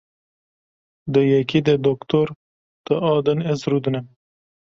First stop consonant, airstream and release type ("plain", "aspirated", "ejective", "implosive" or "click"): plain